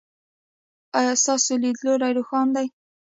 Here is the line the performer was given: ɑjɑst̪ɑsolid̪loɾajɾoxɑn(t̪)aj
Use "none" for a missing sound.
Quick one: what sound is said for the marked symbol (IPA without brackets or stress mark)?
d̪